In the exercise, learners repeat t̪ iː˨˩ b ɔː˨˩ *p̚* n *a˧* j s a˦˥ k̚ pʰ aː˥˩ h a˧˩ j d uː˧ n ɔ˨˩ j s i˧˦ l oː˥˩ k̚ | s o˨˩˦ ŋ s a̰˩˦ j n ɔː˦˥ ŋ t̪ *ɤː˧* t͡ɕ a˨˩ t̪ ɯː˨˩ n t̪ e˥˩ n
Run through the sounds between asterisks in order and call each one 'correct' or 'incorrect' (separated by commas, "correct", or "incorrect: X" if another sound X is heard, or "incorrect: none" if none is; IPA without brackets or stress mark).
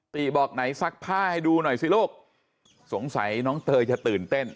incorrect: k̚, incorrect: a˩˦, correct